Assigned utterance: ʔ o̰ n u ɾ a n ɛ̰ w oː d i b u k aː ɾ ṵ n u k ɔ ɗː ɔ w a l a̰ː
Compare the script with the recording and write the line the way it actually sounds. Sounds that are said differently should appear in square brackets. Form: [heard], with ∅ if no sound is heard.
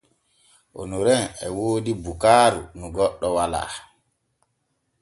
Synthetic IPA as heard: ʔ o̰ n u ɾ [ɛ] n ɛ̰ w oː d i b u k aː ɾ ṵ n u [ɡ] ɔ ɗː ɔ w a l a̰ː